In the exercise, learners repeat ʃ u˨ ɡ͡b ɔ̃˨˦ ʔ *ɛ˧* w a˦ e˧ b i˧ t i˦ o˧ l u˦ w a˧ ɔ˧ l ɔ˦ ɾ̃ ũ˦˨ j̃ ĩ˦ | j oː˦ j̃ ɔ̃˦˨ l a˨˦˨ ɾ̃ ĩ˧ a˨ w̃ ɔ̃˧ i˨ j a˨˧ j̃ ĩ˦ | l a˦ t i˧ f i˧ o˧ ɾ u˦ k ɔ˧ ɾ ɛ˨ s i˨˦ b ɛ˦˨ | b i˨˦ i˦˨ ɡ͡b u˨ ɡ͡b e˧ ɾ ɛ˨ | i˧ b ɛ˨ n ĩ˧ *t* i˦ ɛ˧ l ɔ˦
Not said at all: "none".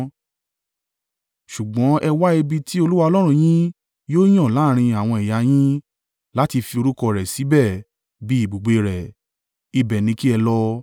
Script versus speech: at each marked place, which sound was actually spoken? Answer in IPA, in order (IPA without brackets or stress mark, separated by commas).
ɛ˧, k